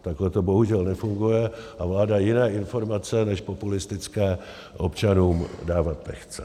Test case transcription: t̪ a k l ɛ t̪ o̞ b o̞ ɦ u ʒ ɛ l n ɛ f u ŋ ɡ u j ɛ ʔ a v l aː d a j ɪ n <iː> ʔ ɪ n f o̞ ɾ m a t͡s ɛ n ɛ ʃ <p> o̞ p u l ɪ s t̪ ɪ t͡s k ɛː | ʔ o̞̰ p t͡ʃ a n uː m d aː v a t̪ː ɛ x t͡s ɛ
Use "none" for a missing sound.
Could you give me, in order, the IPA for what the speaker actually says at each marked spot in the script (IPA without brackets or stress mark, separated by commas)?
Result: ɛː, p